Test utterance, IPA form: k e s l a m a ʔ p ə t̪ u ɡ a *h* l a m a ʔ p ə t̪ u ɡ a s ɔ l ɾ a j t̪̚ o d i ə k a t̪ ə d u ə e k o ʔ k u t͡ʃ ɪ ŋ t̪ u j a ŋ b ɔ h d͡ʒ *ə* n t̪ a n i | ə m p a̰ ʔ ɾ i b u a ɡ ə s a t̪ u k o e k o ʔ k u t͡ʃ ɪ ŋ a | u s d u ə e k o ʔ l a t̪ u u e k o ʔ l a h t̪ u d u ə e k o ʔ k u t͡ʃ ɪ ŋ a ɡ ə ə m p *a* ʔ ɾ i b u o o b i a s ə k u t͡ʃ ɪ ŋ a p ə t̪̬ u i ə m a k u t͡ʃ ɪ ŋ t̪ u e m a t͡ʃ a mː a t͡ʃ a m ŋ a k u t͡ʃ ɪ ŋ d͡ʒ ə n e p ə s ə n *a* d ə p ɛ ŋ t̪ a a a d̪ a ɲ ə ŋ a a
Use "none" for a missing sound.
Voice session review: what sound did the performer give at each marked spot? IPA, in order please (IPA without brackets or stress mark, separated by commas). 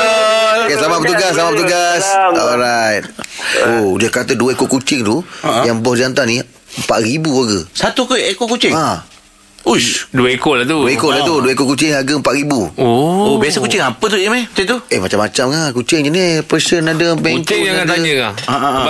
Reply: s, a, a, a